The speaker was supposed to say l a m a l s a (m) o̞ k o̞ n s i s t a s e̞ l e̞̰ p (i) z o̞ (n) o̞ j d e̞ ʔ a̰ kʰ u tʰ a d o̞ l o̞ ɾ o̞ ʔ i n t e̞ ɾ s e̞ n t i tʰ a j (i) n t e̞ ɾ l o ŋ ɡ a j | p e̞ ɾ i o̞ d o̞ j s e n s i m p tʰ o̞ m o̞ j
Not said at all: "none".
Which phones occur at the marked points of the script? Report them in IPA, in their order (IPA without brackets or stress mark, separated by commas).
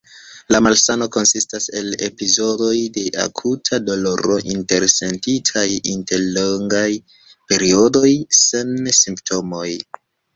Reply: n, i, d, i